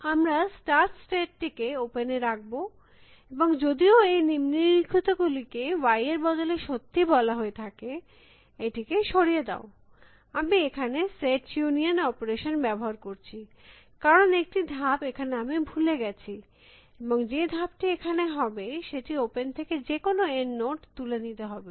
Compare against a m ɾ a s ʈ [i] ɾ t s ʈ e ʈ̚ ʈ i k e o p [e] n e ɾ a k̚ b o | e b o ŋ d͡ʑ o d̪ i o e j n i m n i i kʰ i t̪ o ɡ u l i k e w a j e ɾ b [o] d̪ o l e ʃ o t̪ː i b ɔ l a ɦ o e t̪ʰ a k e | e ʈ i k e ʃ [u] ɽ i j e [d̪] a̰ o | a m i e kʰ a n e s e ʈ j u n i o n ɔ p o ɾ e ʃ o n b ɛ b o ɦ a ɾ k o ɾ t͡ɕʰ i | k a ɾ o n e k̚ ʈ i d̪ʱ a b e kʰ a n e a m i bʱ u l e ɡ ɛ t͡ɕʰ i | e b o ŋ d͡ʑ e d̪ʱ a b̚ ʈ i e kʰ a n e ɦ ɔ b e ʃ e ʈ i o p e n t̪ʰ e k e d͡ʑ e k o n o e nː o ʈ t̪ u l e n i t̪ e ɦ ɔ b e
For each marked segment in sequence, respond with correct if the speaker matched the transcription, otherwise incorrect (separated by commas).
incorrect, correct, incorrect, incorrect, correct